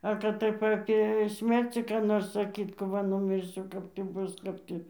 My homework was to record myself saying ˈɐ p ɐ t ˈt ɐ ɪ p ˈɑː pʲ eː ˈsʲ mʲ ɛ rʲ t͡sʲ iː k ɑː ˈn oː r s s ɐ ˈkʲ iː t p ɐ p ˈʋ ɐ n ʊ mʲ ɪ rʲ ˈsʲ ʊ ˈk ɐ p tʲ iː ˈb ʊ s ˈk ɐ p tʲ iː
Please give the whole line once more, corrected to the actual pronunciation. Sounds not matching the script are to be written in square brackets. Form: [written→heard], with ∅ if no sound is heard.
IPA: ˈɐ [p→k] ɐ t ˈt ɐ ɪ p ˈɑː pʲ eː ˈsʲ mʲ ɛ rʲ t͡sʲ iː k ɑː ˈn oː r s s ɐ ˈkʲ iː t [p→k] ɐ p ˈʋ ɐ n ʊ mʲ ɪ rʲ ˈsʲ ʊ ˈk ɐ p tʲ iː ˈb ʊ s ˈk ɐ p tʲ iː